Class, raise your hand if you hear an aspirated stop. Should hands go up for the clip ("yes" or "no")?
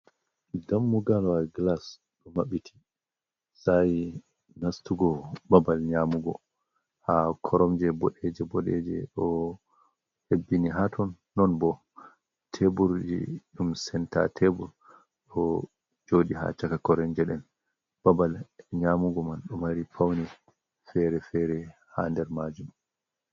yes